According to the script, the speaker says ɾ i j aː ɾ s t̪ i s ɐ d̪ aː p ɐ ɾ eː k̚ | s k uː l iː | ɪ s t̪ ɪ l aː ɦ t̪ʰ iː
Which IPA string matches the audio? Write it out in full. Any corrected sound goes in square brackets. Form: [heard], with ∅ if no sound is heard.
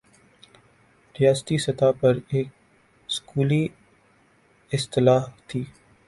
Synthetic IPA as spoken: ɾ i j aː [∅] s t̪ i s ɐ [t̪] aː p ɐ ɾ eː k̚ | s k uː l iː | ɪ s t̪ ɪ l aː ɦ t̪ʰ iː